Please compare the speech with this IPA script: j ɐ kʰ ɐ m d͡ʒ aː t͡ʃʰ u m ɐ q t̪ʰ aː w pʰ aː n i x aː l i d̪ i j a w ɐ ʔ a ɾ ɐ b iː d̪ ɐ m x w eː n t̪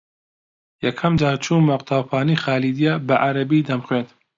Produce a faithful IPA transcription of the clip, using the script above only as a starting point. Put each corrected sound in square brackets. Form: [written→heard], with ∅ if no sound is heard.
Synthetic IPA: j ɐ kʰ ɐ m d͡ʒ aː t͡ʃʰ u m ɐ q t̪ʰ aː w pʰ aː n i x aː l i d̪ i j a [w→b] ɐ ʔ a ɾ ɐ b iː d̪ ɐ m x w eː n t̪